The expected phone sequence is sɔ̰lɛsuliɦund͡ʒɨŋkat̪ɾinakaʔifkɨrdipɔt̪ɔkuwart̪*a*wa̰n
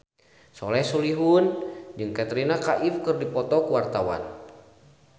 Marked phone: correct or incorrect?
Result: correct